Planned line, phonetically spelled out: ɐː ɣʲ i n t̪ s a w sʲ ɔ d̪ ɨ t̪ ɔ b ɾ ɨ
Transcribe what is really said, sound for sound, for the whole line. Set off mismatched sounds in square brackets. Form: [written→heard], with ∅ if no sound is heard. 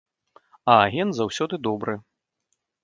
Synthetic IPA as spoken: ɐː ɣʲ [i→ɛ] n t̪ [s→z] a w sʲ ɔ d̪ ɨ [t̪→d̪] ɔ b ɾ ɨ